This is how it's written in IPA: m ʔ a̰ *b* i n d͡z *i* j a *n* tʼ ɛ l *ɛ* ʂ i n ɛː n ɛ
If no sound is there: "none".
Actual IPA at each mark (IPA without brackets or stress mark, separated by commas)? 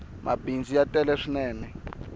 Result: b, i, none, ɛ